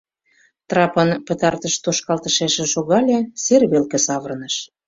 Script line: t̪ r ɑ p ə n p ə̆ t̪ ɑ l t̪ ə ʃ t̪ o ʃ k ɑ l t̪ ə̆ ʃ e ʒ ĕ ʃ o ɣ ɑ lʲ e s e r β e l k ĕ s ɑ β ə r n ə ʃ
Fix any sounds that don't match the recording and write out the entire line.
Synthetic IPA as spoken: t̪ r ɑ p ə n p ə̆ t̪ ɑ r t̪ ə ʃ t̪ o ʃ k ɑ l t̪ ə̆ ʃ e ʃ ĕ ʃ o ɣ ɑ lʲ e s e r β e l k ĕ s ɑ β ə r n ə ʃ

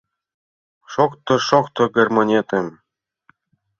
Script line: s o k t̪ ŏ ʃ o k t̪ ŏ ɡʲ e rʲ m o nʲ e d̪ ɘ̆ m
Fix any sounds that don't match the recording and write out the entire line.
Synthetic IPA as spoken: ʃ o k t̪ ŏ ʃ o k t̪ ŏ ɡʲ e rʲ m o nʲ e t̪ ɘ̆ m

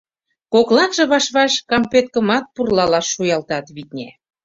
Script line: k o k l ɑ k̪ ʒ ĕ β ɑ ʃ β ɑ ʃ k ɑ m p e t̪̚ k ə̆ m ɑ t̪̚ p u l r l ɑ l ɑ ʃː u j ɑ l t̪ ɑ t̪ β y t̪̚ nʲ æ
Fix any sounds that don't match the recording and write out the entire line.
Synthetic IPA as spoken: k o k l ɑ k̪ ʒ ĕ β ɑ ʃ β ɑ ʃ k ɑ m p e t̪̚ k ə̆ m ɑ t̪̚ p u r l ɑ l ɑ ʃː u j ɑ l t̪ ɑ t̪ β i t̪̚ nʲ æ

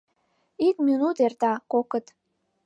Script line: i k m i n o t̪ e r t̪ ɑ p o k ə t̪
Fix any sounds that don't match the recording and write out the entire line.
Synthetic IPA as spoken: i k m i n u t̪ e r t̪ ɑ k o k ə t̪

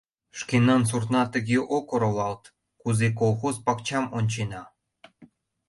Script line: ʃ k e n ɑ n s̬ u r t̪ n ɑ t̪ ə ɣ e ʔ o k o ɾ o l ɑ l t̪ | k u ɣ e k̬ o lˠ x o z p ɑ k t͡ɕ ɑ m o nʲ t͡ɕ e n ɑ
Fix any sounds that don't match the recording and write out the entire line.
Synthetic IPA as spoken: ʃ k e n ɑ n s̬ u r t̪ n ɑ t̪ ə ɣ e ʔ o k o ɾ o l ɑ l t̪ | k u z e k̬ o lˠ x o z p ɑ k t͡ɕ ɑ m o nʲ t͡ɕ e n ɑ

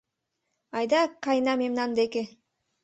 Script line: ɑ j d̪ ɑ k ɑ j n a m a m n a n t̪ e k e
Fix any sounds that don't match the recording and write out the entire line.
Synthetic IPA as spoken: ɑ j d̪ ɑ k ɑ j n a m e m n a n d̪ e k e

